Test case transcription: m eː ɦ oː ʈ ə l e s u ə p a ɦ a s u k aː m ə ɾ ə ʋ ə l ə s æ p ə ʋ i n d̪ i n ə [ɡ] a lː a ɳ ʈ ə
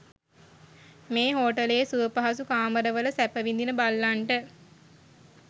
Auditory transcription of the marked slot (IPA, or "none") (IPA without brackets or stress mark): b